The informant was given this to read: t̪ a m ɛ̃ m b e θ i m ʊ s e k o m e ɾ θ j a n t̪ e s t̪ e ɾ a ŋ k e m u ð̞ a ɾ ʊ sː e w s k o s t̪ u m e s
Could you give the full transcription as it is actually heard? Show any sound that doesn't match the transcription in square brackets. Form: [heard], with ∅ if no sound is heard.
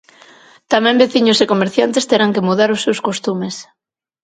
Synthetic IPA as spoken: t̪ a m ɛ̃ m b e θ i [ɲ] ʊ s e k o m e ɾ θ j a n t̪ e s t̪ e ɾ a ŋ k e m u ð̞ a ɾ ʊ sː e w s k o s t̪ u m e s